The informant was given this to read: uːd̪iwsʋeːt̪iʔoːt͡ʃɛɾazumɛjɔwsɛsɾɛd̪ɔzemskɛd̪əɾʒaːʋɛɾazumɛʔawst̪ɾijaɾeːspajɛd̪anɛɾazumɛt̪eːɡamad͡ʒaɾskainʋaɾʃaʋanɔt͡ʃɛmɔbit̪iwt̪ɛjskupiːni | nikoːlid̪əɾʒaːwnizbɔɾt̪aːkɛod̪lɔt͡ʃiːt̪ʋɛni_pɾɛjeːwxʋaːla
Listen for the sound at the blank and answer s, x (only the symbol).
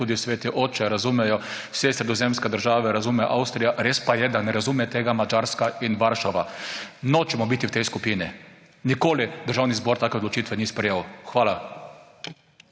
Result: s